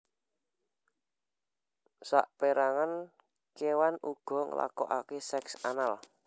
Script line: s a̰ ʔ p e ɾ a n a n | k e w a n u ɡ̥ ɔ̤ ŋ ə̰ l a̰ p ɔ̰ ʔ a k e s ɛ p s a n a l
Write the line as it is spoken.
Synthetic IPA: s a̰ ʔ p e ɾ a ŋ a n | k e w a n u ɡ̥ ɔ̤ ŋ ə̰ l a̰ k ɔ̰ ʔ a k e s ɛ k s a n a l

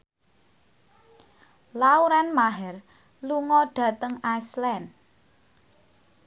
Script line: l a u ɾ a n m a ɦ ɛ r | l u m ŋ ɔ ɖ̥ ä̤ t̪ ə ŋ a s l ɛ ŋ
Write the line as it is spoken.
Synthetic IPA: l a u ɾ a n m a ɦ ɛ r | l u ŋ ɔ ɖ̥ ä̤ t̪ ə ŋ a s l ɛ n

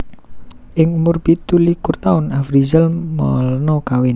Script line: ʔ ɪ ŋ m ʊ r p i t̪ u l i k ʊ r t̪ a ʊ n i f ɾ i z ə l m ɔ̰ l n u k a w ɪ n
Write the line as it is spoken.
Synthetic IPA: ʔ ɪ ŋ m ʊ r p i t̪ u l i k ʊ r t̪ a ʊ n a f ɾ i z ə l m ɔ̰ l n ɔ k a w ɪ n

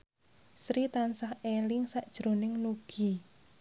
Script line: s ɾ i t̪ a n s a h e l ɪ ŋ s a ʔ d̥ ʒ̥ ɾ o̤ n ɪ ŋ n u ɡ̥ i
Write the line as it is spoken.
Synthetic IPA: s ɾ i t̪ a n s a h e l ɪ ŋ s a ʔ d̥ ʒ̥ ɾ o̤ n ɪ ŋ n u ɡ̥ i

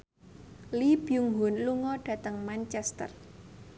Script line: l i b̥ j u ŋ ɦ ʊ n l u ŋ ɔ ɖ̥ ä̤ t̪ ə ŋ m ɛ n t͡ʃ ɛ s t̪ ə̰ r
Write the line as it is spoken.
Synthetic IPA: l i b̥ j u ŋ ɦ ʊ n l u ŋ ɔ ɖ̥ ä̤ t̪ ə ŋ m a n t͡ʃ ɛ s t̪ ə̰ r

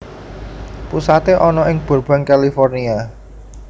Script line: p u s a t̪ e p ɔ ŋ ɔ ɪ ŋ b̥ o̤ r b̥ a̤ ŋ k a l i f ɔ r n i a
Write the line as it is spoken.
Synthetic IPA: p u s a t̪ e ʔ ɔ n ɔ ɪ ŋ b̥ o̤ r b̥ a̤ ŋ k a l i f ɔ r n i a

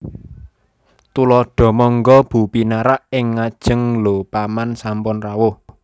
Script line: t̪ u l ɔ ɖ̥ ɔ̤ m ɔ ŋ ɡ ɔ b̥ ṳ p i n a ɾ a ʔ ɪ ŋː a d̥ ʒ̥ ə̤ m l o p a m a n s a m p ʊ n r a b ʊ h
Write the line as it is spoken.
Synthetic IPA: t̪ u l ɔ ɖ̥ ɔ̤ m ɔ ŋ ɡ ɔ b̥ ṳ p i n a ɾ a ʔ ɪ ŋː a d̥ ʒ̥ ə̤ ŋ l o p a m a n s a m p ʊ n r a w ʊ h

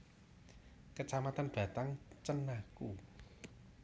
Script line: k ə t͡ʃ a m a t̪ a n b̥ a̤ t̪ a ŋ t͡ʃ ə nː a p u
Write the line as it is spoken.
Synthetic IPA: k ə t͡ʃ a m a t̪ a n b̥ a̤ t̪ a ŋ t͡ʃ ə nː a k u

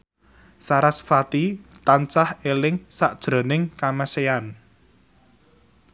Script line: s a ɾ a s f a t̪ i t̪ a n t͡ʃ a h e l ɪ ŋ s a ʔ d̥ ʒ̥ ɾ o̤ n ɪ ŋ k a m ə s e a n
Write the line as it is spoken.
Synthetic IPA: s a ɾ a s f a t̪ i t̪ a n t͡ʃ a h e l ɪ ŋ s a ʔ d̥ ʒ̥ ɾ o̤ n ɪ ŋ k a m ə s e a n

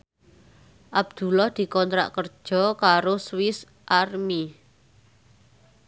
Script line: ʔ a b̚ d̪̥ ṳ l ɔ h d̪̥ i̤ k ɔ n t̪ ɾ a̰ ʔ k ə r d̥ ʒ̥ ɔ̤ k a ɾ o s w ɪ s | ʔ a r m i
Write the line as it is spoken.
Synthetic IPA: ʔ a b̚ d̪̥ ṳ l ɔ h d̪̥ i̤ k ɔ n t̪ ɾ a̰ ʔ k ə r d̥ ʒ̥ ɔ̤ k a ɾ o s w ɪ s | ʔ a r m i

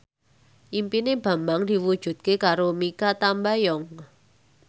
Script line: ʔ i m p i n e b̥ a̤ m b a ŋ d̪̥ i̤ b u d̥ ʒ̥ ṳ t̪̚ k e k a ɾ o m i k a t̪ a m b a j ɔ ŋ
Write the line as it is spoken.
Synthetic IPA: ʔ i m p i n e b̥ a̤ m b a ŋ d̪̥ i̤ w u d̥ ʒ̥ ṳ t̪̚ k e k a ɾ o m i k a t̪ a m b a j ɔ ŋ

